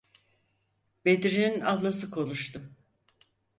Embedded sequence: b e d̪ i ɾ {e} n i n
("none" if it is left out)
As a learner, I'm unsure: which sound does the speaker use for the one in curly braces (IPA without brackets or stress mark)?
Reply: i